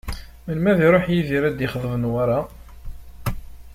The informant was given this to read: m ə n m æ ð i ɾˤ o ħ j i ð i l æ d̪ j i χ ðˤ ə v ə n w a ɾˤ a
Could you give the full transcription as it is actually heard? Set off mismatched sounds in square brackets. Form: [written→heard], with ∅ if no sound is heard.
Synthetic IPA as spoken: m ə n m æ ð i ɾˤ o ħ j i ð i [l→ɾ] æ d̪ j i χ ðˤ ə v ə n w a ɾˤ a